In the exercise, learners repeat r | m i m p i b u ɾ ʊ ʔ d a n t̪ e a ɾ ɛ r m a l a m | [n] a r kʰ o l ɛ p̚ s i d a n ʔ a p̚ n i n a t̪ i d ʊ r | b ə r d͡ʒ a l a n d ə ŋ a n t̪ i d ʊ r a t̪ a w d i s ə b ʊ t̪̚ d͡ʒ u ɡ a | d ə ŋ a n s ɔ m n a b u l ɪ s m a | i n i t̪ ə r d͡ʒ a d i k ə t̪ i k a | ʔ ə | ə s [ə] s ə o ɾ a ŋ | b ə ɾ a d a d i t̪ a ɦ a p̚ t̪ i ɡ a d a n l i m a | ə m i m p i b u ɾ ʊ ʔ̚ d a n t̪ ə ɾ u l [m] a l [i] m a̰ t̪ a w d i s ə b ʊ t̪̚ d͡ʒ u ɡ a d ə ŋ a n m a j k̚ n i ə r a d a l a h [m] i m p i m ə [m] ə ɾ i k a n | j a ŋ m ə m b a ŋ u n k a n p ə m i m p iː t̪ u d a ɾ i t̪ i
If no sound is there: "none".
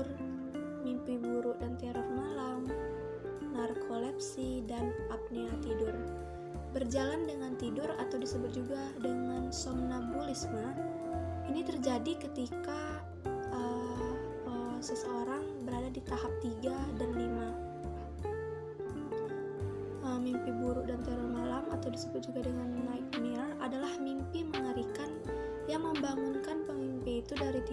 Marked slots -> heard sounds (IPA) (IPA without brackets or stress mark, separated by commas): n, ə, m, a, m, ŋ